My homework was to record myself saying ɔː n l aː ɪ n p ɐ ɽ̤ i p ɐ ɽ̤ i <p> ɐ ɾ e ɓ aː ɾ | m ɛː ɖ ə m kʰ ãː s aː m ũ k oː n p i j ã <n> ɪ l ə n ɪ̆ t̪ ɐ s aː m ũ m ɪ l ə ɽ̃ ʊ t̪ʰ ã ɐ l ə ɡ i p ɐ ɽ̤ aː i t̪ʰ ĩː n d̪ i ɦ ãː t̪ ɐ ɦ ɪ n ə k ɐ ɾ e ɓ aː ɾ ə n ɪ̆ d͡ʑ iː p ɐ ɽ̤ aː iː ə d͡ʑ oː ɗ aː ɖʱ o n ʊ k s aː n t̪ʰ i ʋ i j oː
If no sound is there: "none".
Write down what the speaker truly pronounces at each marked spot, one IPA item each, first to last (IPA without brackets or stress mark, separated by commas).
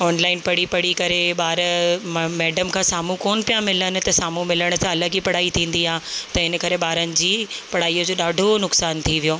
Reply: k, m